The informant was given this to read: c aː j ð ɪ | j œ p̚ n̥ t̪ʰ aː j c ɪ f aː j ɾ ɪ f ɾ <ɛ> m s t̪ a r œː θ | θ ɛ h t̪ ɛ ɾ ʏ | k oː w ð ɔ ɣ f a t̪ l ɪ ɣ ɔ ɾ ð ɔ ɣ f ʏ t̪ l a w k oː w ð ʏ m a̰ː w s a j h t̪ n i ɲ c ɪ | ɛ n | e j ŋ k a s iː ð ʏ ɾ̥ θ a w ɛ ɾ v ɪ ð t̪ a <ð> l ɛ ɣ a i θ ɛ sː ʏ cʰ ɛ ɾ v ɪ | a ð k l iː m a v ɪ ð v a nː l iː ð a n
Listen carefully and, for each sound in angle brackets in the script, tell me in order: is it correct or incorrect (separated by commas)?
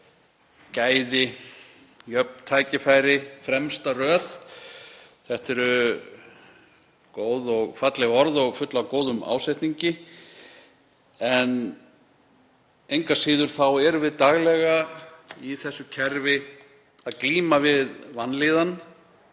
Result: correct, incorrect